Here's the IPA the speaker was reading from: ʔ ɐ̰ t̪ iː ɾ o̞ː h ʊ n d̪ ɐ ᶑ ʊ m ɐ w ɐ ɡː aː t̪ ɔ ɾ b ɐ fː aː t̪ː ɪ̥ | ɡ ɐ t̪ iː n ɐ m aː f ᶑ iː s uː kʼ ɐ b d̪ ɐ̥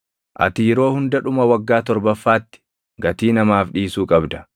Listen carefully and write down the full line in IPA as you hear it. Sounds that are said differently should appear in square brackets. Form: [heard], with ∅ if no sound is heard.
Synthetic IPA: ʔ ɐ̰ t̪ iː ɾ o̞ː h ʊ n d̪ ɐ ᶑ ʊ m ɐ w ɐ ɡː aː t̪ ɔ ɾ b ɐ fː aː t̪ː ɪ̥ | ɡ ɐ t̪ iː n ɐ m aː f ᶑ iː s uː kʼ ɐ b d̪ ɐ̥